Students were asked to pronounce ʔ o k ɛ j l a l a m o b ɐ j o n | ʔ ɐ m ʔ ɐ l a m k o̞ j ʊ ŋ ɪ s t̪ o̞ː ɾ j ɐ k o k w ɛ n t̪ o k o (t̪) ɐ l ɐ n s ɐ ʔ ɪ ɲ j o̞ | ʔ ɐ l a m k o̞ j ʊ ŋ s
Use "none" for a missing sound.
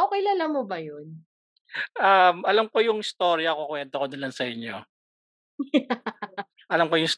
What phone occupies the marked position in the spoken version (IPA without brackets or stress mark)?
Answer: d̪